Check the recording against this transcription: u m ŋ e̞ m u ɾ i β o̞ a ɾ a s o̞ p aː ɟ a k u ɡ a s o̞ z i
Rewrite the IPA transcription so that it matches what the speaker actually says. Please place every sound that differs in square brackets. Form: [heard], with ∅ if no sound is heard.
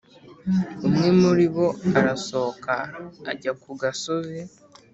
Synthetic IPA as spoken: u m ŋ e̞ m u ɾ i β o̞ a ɾ a s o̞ [k] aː ɟ a k u ɡ a s o̞ z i

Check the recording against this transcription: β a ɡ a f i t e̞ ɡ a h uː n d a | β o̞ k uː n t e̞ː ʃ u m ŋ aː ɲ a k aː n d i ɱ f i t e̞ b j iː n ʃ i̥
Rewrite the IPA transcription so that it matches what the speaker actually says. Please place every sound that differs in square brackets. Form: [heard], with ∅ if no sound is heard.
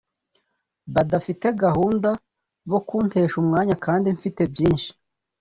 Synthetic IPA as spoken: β a [d] a f i t e̞ ɡ a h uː n d a | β o̞ k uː n t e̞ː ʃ u m ŋ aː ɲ a k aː n d i ɱ f i t e̞ b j iː n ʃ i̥

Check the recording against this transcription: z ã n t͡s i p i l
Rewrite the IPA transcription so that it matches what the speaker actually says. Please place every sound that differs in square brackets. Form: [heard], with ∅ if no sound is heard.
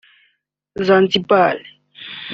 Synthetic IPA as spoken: z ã n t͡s i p [a] l

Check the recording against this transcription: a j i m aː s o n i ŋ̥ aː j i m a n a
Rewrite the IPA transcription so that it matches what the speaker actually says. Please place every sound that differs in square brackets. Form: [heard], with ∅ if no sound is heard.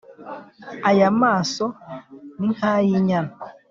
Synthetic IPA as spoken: a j [a] m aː s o n i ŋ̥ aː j i [ɲ] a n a

